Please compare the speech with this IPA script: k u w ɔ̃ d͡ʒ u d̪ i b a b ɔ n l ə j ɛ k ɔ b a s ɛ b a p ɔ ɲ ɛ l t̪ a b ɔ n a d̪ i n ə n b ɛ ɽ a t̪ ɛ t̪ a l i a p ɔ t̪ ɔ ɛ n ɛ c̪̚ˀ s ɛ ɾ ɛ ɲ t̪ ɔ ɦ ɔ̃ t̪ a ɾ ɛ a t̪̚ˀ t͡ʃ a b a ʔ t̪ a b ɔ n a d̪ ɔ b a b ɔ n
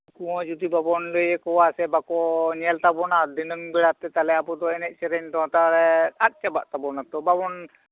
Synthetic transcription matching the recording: k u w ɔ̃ d͡ʒ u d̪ i b a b ɔ n l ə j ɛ k ɔ w a s ɛ b a k ɔ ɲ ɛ l t̪ a b ɔ n a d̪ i n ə ŋ b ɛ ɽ a t̪ ɛ t̪ a l ɛ a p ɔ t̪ ɔ ɛ n ɛ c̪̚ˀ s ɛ ɾ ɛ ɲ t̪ ɔ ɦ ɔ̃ t̪ a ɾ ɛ a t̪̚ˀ t͡ʃ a b a ʔ t̪ a b ɔ n a t̪ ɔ b a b ɔ n